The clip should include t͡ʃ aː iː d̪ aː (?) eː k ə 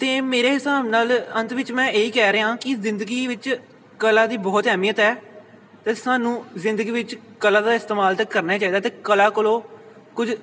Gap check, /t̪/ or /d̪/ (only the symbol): t̪